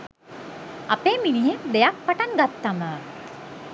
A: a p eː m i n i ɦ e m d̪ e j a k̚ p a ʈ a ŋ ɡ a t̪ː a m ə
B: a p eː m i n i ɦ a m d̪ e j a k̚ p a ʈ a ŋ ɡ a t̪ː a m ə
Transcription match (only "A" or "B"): A